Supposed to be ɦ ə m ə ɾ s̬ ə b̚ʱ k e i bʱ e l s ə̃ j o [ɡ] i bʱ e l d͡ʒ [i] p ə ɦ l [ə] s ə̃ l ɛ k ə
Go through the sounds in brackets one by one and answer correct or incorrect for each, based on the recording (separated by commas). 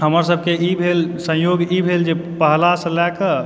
correct, incorrect, incorrect